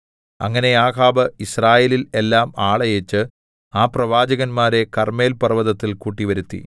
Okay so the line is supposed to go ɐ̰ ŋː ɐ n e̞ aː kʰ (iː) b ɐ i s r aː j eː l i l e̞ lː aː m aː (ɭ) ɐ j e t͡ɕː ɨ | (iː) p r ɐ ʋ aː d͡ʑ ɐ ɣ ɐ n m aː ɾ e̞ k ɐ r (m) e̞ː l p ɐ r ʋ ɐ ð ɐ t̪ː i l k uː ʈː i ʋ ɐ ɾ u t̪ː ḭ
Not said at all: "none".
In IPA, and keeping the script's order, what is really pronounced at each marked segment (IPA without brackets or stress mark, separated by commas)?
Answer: aː, ɭ, aː, m